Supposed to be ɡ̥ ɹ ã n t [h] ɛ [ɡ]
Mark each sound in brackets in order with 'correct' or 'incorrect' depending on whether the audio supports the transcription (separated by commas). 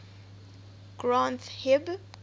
correct, incorrect